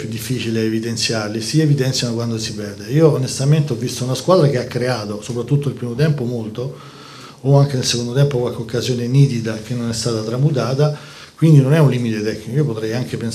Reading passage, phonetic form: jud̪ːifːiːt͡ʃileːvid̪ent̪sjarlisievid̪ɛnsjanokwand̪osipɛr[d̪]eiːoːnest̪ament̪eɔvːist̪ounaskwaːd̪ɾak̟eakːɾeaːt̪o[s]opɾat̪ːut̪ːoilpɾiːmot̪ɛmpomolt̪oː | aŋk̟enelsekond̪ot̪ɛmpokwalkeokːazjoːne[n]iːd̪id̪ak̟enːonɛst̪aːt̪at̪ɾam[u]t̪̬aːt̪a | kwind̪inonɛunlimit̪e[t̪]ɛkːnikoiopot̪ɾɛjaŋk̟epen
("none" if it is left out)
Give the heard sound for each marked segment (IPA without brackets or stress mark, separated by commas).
d̪, s, n, u, t̪